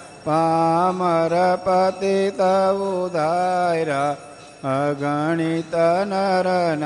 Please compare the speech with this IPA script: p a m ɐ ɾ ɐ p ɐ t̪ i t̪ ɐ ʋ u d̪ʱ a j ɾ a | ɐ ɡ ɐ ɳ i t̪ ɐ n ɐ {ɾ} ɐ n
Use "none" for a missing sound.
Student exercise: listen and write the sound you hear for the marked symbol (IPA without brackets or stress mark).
ɾ